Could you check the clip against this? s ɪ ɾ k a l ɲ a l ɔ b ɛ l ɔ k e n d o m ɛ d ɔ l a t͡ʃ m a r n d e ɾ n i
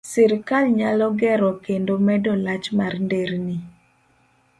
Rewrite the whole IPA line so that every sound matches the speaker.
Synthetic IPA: s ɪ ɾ k a l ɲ a l ɔ ɡ ɛ ɾ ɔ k e n d o m ɛ d ɔ l a t͡ʃ m a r n d e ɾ n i